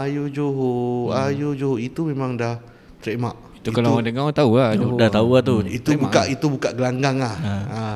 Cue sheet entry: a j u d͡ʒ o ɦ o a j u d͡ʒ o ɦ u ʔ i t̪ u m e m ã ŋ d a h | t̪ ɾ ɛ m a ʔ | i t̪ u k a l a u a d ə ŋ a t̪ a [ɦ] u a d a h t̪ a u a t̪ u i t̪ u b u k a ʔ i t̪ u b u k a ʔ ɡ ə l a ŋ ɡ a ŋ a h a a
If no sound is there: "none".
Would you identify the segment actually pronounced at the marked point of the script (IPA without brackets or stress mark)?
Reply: none